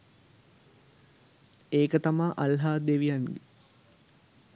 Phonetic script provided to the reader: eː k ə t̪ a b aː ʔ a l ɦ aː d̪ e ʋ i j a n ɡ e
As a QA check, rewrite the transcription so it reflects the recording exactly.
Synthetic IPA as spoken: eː k ə t̪ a m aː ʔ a l ɦ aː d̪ e ʋ i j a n ɡ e